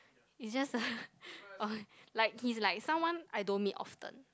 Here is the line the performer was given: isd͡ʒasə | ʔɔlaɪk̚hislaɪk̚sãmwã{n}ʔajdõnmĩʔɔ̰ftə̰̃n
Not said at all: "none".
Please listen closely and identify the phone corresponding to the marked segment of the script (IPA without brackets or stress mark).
n